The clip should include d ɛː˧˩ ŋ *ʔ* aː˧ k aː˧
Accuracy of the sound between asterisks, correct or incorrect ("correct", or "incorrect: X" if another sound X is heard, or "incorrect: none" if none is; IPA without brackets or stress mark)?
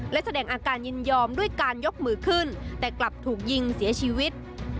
correct